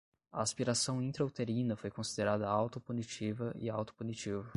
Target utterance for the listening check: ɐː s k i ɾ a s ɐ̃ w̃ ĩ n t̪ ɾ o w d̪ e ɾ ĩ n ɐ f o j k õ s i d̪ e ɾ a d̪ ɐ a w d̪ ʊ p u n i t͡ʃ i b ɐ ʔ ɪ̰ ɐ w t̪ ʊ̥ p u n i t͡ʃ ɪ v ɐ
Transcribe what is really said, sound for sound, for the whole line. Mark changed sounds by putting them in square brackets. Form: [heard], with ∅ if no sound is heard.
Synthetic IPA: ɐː s [p] i ɾ a s ɐ̃ w̃ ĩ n t̪ ɾ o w [t̪] e ɾ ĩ n ɐ f o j k õ s i d̪ e ɾ a d̪ ɐ a w [t̪] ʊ p u n i t͡ʃ i [v] ɐ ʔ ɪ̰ [a] w t̪ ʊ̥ p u n i t͡ʃ [i] v ɐ

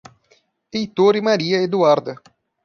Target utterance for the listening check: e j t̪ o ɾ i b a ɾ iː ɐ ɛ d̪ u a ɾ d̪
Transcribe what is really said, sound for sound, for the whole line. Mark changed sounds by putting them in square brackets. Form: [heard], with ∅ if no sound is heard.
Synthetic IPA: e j t̪ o ɾ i [m] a ɾ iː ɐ [e] d̪ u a ɾ d̪

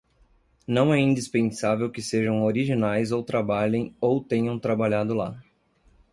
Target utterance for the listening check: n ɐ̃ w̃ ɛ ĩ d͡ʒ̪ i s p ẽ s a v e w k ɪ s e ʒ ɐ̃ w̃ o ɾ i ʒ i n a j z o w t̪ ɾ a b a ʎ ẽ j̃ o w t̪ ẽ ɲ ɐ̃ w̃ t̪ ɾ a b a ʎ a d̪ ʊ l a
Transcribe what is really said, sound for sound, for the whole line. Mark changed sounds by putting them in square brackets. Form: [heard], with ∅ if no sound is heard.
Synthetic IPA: n ɐ̃ w̃ ɛ ĩ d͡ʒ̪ i s p ẽ s a v e w k ɪ s e ʒ ɐ̃ w̃ o ɾ i ʒ i n a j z o w t̪ ɾ a b a ʎ ẽ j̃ o w t̪ ẽ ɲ ɐ̃ w̃ t̪ ɾ a b a ʎ a d̪ ʊ l a

